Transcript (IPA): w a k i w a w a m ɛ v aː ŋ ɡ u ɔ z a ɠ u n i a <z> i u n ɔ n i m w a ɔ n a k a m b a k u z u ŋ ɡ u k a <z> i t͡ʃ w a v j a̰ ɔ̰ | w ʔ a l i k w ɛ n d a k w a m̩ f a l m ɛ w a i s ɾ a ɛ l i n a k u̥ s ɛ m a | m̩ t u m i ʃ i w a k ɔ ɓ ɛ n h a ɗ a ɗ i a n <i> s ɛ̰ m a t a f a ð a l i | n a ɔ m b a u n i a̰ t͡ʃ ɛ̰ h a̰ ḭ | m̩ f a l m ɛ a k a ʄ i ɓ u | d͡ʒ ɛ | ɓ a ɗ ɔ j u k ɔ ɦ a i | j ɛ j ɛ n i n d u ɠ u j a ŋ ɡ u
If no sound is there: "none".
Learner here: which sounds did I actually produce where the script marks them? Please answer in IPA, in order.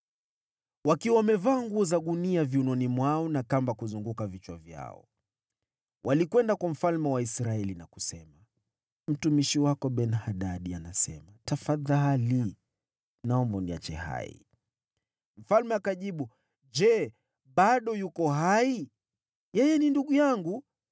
v, v, a

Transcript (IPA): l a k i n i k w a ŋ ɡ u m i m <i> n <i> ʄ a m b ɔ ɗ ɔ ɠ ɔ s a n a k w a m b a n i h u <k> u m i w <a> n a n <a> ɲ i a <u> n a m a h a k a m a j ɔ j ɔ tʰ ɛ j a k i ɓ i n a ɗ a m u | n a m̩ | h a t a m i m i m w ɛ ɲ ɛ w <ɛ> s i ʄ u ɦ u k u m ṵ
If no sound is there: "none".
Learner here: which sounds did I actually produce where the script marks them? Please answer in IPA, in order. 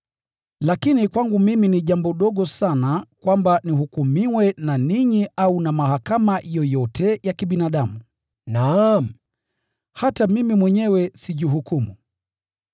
i, i, k, ɛ, i, u, ɛ

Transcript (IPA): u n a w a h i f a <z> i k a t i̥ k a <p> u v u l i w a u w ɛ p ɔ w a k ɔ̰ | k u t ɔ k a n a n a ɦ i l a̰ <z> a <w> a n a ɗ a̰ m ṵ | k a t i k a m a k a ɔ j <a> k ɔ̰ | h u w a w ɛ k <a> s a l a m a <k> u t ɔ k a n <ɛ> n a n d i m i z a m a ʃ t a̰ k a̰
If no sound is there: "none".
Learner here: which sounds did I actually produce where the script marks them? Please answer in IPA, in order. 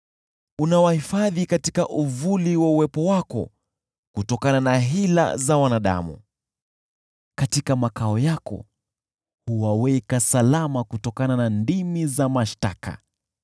ð, ʔ, z, w, a, a, k, a

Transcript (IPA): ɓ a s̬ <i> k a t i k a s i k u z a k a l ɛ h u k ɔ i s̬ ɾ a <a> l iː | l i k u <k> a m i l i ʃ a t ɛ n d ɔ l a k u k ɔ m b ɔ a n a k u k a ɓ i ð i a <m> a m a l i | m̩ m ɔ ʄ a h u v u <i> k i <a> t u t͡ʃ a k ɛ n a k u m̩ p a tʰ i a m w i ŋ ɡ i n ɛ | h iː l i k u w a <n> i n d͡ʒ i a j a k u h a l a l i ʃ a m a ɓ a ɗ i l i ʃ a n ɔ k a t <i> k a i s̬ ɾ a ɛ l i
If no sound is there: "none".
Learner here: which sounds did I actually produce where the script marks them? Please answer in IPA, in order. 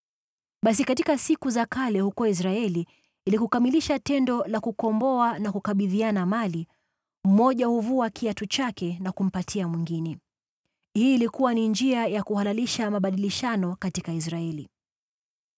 i, ɛ, k, n, a, a, n, i

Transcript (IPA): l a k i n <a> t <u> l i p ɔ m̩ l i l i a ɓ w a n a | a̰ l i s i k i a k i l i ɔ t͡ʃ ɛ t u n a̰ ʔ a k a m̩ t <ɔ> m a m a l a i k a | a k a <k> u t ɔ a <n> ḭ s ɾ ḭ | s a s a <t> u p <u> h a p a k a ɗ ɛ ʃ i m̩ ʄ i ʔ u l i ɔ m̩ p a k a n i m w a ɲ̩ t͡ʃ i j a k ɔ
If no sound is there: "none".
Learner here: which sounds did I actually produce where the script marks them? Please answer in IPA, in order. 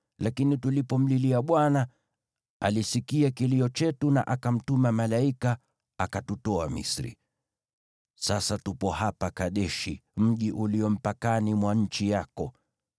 i, u, u, t, m, t, ɔ

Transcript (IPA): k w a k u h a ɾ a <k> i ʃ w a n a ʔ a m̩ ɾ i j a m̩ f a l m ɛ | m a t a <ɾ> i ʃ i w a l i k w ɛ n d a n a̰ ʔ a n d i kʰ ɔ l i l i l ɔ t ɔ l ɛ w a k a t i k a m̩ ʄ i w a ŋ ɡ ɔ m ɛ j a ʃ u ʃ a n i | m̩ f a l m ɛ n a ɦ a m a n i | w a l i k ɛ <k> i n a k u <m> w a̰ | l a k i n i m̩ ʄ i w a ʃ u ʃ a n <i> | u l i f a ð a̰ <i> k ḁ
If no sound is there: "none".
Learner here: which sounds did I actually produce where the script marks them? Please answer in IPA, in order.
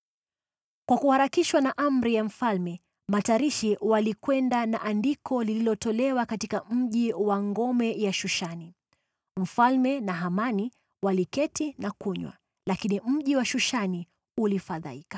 k, ɾ, t, ɲ, i, i

